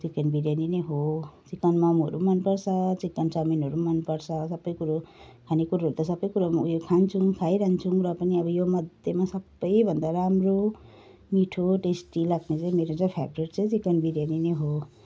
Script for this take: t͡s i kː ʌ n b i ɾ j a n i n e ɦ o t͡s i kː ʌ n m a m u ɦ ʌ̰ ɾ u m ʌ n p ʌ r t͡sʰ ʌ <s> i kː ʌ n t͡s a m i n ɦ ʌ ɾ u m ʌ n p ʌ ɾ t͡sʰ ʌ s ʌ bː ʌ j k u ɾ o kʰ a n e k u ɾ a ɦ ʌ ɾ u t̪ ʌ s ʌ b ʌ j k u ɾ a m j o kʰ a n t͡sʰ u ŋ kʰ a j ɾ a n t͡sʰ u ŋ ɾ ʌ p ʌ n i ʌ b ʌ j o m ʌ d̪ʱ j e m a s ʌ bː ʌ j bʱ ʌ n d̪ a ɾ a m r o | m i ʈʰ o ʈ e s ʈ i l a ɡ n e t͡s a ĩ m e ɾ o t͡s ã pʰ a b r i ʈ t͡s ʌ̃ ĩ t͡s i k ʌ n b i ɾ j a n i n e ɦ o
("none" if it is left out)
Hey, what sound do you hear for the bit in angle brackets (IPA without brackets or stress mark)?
t͡s